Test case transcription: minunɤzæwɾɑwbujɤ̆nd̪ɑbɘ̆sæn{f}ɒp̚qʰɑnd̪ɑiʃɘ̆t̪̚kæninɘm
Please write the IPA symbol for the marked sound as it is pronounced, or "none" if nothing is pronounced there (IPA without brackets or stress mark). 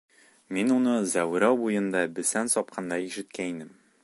s